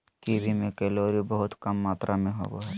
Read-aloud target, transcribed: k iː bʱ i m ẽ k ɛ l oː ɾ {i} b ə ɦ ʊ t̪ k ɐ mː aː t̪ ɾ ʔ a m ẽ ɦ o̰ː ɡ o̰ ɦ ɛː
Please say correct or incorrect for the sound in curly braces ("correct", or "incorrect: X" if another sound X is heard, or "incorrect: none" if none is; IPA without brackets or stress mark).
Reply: correct